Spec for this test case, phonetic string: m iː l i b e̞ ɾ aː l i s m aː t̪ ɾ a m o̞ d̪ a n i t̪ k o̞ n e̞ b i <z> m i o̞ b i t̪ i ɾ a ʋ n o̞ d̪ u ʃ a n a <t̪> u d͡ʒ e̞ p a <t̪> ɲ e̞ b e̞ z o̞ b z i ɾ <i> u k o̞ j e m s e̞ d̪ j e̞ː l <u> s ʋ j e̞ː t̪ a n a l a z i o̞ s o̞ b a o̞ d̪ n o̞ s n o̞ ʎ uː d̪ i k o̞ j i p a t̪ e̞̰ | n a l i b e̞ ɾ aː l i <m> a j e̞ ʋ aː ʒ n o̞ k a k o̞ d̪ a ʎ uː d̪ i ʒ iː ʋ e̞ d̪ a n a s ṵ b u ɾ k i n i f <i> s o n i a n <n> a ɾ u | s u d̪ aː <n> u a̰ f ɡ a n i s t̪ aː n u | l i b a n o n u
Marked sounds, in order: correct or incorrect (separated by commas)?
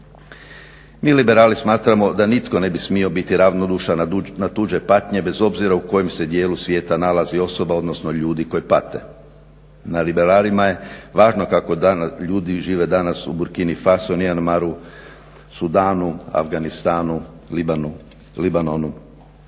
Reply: incorrect, correct, correct, incorrect, correct, correct, incorrect, incorrect, correct